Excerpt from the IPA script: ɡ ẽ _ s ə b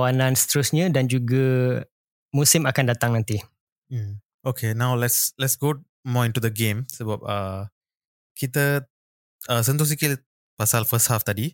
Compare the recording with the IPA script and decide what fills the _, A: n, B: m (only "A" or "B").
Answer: B